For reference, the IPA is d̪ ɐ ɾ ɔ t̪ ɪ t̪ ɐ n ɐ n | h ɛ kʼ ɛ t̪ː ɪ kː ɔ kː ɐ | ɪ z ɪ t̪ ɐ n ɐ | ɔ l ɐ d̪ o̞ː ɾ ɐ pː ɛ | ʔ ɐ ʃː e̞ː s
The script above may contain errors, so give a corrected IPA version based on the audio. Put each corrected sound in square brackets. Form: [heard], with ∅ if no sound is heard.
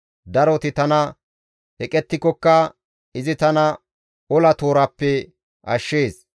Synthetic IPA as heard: d̪ ɐ ɾ ɔ t̪ ɪ t̪ ɐ n ɐ [∅] | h ɛ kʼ ɛ t̪ː ɪ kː ɔ kː ɐ | ɪ z ɪ t̪ ɐ n ɐ | ɔ l ɐ [t̪] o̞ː ɾ ɐ pː ɛ | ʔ ɐ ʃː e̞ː s